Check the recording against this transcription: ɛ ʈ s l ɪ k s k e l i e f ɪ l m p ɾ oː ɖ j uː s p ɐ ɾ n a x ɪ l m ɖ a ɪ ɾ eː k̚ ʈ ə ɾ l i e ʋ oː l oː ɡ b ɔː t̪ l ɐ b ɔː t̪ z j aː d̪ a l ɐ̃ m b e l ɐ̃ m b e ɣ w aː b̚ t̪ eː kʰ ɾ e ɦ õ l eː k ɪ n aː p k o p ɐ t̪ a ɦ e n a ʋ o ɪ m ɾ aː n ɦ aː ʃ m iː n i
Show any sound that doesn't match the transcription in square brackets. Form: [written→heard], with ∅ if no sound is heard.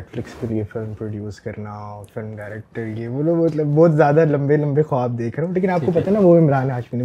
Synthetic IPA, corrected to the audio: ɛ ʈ [s→f] l ɪ k s k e l i e f ɪ l m p ɾ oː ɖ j uː s [p→k] ɐ ɾ n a [x→f] ɪ l m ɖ a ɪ ɾ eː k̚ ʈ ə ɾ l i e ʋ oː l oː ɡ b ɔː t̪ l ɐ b ɔː t̪ z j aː d̪ a l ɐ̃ m b e l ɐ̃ m b e [ɣ→x] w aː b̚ [t̪→d̪] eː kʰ ɾ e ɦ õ l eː k ɪ n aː p k o p ɐ t̪ a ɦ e n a ʋ o ɪ m ɾ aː n ɦ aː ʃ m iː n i